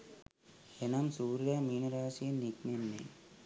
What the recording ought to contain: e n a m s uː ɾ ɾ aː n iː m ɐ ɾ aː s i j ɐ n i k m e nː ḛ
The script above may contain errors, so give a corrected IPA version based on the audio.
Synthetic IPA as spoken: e n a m s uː ɾ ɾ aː m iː n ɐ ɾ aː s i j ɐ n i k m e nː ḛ